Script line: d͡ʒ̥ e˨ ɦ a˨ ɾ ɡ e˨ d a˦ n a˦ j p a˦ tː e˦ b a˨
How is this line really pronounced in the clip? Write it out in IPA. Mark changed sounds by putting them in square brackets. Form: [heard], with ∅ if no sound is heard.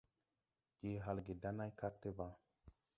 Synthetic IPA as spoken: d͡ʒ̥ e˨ ɦ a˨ [l] ɡ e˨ d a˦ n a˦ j [k] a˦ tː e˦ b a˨